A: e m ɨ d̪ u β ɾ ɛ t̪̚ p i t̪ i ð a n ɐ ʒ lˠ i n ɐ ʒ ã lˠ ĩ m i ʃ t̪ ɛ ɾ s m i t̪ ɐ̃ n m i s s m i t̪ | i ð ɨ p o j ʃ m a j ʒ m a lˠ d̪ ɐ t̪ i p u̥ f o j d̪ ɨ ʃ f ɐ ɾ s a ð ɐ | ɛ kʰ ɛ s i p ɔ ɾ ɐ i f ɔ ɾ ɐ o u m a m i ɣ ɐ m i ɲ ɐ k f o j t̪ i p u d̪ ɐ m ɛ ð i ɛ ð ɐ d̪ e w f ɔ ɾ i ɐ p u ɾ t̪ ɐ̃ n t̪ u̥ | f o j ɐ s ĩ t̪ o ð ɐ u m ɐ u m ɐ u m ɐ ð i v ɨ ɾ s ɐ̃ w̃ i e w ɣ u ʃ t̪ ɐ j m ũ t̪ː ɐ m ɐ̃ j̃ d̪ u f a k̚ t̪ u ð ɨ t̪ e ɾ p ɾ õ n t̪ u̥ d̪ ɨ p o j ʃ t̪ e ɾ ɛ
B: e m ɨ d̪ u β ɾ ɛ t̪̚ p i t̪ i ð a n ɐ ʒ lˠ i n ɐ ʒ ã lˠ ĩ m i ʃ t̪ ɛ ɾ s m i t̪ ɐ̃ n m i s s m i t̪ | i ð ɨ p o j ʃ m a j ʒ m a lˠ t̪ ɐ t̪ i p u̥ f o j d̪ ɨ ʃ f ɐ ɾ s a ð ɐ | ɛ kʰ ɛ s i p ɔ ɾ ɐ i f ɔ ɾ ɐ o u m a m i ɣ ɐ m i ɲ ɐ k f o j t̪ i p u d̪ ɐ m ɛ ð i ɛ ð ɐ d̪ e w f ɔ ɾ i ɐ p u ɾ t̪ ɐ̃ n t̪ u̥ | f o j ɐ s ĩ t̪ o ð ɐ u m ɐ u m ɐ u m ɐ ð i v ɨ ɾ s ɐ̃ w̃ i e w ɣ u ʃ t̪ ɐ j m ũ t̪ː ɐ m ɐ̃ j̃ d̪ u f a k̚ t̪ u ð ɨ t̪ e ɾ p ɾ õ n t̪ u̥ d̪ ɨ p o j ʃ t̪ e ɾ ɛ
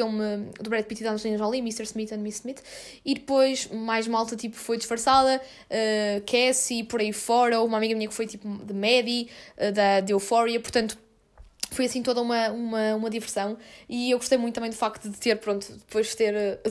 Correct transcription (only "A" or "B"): B